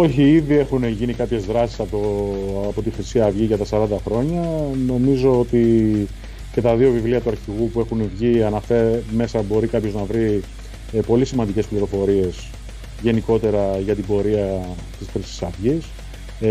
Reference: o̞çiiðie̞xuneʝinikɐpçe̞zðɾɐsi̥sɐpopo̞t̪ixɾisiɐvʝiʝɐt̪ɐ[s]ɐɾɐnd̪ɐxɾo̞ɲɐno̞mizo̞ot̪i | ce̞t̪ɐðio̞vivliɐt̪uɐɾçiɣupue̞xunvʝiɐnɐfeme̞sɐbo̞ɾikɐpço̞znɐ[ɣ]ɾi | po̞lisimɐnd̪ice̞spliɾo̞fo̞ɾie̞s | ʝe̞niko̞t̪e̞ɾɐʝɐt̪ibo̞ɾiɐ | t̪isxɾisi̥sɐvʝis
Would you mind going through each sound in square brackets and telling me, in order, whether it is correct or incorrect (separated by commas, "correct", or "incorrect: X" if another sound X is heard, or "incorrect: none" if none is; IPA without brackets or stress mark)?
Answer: correct, incorrect: v